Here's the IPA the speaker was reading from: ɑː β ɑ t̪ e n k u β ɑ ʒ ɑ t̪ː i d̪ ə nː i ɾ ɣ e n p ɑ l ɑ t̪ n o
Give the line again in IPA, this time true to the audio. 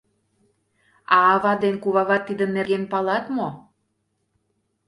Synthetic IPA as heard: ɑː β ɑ d̪ e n k u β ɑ ɣ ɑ t̪ː i d̪ ə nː e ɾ ɣ e n p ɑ l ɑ t̪ m o

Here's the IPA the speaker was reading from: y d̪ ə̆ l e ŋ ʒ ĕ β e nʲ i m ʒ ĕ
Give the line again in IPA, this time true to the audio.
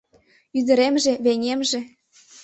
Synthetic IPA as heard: y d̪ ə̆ ɾ e m ʒ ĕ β e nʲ e m ʒ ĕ

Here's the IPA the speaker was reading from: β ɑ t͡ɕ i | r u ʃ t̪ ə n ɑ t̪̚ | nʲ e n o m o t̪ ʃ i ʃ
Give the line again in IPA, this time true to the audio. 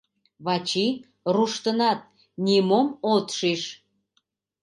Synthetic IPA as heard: β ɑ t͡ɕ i | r u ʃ t̪ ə n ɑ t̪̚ | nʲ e m o m o t̪ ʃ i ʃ

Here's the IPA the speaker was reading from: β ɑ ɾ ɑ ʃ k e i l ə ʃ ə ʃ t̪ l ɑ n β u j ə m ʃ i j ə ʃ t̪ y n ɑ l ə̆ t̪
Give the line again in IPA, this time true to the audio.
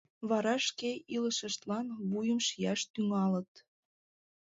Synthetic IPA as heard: β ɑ ɾ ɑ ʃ k e i l ə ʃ ə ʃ t̪ l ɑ n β u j ə m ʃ i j ɑ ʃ t̪ y ŋ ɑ l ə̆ t̪

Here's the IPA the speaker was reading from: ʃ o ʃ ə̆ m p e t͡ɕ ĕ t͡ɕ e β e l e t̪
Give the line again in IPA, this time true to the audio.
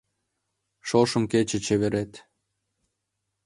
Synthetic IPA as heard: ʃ o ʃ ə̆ m k e t͡ɕ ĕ t͡ɕ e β e ɾ e t̪

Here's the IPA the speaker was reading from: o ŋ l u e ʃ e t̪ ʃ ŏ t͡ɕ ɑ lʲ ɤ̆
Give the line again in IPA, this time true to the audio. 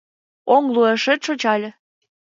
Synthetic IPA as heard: o ŋ l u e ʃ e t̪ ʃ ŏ t͡ɕ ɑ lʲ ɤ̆

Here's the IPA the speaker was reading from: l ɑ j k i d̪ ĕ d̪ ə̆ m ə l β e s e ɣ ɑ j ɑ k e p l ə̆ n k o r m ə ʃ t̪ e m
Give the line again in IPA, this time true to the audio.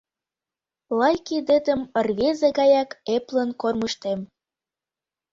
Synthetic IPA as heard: l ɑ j k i d̪ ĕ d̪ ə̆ m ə r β e z e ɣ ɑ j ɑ k e p l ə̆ n k o r m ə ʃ t̪ e m

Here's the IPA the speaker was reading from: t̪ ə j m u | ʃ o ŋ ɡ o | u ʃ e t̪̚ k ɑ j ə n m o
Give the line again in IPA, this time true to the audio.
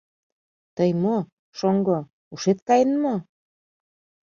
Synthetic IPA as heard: t̪ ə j m o | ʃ o ŋ ɡ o | u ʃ e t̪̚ k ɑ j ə n m o

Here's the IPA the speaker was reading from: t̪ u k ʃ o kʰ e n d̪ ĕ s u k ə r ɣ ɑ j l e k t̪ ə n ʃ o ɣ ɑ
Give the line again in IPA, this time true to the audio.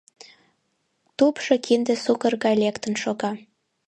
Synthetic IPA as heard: t̪ u p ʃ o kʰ i n d̪ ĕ s u k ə r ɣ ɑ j l e k t̪ ə n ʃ o ɣ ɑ

